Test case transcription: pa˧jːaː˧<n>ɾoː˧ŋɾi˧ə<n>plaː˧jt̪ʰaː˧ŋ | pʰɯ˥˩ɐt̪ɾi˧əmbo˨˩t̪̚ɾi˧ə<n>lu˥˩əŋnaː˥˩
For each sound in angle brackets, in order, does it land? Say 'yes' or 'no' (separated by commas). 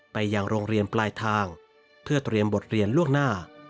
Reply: no, yes, yes